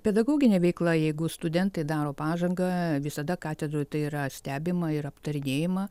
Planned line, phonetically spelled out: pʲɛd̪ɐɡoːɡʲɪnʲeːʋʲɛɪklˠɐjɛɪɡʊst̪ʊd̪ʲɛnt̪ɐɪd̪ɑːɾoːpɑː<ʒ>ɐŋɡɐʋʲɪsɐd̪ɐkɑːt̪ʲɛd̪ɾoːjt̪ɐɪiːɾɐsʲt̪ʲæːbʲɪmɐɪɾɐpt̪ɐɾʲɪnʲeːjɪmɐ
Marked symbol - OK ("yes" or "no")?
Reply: yes